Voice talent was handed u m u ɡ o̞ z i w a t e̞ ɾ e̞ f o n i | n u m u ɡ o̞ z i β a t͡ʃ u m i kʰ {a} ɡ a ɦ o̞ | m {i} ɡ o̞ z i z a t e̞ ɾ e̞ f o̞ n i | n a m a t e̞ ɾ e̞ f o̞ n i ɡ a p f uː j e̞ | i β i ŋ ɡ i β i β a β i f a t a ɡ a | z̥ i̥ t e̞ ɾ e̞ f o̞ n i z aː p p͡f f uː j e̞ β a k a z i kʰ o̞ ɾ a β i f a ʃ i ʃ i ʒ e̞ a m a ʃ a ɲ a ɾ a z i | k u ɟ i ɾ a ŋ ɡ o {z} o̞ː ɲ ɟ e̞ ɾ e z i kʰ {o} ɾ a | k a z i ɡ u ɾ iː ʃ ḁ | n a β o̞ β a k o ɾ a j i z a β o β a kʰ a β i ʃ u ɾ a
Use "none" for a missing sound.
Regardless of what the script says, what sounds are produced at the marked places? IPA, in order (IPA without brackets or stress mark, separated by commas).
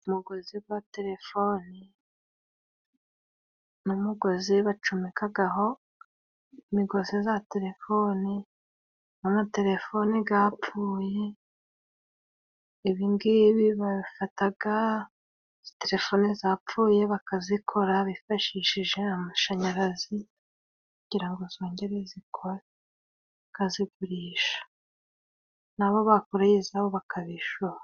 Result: a, i, z, o